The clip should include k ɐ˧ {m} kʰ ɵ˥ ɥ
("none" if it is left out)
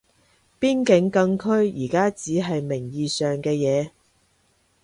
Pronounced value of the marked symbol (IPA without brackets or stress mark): ŋ